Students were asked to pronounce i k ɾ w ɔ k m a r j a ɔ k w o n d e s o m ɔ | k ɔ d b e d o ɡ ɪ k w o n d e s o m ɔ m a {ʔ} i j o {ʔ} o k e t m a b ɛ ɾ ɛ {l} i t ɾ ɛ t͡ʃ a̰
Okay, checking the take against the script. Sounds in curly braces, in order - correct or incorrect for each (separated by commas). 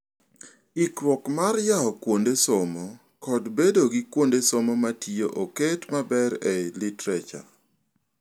incorrect, correct, correct